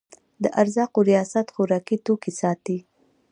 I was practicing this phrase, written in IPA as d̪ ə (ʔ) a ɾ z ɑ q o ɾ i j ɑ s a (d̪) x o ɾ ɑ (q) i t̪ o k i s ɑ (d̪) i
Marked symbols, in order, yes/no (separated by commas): yes, no, no, no